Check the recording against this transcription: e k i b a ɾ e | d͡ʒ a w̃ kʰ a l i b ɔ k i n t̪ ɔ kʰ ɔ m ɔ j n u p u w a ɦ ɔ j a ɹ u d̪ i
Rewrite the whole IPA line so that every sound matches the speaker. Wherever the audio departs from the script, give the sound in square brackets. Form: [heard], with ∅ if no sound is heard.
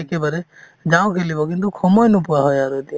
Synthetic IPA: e k [e] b a ɾ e | d͡ʒ a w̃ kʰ [e] l i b ɔ k i n t̪ [u] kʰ ɔ m ɔ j n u p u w a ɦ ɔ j a [ɾ] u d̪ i